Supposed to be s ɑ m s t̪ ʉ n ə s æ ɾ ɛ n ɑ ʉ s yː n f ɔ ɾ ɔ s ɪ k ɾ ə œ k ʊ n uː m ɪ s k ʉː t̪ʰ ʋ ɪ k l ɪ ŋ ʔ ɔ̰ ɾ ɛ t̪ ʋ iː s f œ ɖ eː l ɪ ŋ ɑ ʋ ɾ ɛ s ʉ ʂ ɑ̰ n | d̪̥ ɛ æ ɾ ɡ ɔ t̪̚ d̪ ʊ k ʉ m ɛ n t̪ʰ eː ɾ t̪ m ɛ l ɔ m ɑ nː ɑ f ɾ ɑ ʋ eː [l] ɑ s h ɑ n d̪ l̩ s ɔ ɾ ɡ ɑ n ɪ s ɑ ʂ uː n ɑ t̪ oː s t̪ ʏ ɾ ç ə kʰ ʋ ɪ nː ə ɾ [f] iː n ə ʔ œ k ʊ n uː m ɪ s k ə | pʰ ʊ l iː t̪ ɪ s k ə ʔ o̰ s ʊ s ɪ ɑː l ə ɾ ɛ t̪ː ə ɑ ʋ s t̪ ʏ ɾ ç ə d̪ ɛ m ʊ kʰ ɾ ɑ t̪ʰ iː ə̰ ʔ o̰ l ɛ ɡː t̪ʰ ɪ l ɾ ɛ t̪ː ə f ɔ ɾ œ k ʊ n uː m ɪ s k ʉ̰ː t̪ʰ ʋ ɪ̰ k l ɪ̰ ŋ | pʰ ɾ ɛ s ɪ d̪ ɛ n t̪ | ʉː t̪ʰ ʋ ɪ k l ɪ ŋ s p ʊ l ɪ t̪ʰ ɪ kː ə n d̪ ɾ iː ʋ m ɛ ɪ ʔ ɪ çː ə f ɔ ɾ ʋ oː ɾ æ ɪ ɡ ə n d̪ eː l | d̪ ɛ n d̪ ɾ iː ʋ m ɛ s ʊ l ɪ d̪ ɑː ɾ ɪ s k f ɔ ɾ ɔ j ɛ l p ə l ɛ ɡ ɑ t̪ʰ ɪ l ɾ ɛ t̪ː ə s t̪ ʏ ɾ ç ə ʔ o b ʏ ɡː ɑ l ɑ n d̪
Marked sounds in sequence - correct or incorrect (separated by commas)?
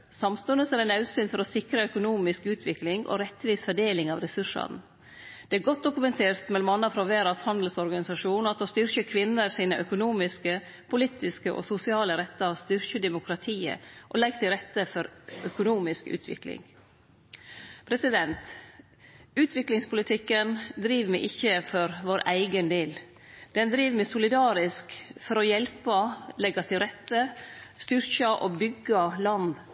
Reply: incorrect, incorrect